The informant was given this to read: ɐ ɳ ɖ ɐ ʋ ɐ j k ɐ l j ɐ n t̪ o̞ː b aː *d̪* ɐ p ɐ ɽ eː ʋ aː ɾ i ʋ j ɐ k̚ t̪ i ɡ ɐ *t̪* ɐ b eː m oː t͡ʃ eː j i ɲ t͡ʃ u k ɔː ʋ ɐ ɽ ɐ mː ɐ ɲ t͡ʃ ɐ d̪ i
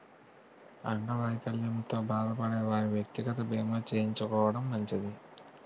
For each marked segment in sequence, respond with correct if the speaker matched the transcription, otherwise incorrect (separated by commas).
correct, correct